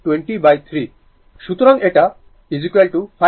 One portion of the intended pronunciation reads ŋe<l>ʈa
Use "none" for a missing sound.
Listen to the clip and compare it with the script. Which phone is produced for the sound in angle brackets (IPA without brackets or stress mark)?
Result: none